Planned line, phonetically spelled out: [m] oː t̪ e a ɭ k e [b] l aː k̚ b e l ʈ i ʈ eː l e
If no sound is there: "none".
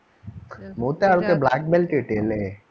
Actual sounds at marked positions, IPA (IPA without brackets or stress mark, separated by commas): m, b